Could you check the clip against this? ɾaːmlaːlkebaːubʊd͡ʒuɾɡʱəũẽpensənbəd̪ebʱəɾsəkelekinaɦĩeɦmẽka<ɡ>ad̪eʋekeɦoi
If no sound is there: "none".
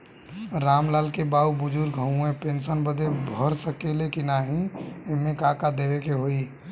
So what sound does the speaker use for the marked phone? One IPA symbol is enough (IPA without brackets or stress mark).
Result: k